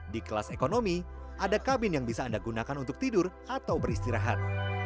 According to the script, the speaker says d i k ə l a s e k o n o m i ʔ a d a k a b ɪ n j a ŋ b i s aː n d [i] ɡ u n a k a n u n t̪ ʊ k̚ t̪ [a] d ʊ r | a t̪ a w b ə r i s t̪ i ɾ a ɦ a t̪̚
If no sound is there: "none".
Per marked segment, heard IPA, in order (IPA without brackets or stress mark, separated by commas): a, i